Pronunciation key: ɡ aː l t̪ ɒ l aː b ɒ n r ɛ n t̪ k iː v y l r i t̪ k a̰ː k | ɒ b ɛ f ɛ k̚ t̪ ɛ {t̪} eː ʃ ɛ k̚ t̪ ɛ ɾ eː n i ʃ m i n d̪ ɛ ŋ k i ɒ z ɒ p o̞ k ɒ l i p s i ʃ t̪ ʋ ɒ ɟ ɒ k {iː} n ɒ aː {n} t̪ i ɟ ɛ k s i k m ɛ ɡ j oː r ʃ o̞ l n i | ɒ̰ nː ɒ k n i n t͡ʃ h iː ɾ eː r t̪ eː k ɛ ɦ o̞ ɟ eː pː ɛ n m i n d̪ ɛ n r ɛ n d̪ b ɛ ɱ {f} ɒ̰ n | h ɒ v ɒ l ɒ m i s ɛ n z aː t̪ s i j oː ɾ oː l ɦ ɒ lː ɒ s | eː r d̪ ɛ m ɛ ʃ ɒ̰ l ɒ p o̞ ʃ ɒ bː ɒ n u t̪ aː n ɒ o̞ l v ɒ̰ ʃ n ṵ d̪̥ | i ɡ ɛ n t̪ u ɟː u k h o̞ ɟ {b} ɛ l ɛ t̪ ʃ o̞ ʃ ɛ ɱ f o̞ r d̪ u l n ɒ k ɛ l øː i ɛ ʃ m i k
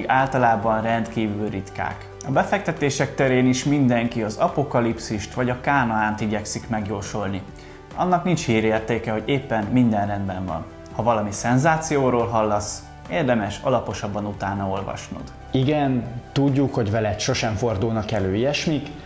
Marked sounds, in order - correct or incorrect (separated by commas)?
correct, incorrect, correct, incorrect, incorrect